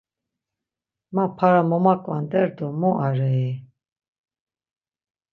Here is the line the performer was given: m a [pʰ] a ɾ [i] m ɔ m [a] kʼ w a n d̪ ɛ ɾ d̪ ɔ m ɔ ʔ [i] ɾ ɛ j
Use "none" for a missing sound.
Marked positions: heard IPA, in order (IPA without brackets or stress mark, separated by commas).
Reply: pʰ, a, a, a